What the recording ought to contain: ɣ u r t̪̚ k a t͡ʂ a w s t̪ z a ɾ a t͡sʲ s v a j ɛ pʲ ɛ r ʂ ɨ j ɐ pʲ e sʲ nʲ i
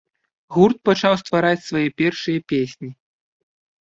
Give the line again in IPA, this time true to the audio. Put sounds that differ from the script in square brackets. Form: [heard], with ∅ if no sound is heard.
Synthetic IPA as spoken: ɣ u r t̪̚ [p] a t͡ʂ a w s t̪ [v] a ɾ a t͡sʲ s v a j ɛ pʲ ɛ r ʂ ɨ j ɐ pʲ e sʲ nʲ i